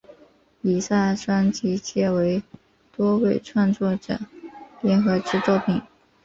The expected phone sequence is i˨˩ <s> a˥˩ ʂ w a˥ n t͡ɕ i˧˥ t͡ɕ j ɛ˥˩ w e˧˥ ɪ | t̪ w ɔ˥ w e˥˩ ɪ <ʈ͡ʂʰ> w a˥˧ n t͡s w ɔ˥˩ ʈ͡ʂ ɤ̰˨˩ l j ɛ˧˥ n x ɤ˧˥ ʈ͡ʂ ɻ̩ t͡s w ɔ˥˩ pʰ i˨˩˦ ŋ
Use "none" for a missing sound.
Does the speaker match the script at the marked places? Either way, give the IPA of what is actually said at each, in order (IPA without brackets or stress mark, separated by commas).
s, ʈ͡ʂʰ